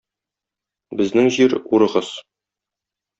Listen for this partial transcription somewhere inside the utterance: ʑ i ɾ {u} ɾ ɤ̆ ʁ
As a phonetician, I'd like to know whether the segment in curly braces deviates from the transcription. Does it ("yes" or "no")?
no